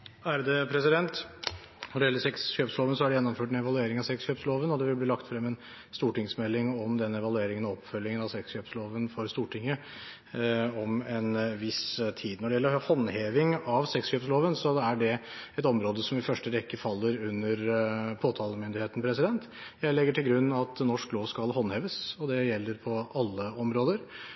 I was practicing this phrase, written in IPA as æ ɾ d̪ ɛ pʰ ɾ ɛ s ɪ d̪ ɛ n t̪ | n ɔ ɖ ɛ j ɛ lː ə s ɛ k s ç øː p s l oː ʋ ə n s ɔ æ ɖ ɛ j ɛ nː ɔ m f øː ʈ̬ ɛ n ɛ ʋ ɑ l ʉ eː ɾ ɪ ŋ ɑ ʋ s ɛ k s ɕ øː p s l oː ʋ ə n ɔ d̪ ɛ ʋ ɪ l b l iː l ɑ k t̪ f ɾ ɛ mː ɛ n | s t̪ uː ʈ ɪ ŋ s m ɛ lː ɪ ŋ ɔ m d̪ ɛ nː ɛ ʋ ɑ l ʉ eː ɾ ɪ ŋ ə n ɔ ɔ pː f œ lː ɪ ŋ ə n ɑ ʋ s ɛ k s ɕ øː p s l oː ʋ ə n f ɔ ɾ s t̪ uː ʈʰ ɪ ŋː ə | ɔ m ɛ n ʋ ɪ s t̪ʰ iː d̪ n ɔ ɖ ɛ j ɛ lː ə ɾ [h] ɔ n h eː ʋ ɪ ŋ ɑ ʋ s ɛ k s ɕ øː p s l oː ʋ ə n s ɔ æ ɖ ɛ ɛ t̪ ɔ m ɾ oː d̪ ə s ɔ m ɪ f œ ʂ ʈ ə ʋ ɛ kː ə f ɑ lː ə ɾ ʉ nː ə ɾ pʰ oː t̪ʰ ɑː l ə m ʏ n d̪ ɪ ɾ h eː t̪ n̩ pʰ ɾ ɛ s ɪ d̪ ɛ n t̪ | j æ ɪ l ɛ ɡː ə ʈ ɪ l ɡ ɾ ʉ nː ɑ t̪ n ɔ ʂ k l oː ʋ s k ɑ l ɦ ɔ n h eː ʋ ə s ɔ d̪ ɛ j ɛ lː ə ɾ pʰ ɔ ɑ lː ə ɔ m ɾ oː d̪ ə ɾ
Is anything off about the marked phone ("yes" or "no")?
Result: no